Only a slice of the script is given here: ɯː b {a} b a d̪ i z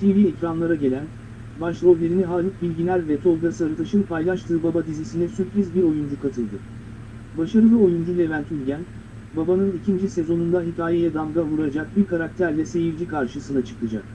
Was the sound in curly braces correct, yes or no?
yes